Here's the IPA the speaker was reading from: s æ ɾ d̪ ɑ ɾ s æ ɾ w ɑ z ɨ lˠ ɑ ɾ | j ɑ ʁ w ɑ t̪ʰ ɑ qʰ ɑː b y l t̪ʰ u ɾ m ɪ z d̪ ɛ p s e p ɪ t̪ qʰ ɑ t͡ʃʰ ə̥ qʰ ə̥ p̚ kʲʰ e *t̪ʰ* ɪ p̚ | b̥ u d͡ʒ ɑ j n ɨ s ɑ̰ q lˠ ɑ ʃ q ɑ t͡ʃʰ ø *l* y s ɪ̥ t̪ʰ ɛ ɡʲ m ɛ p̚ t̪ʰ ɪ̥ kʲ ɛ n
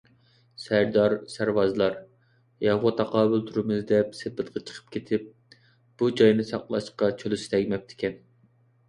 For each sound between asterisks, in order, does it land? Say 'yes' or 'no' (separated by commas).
yes, yes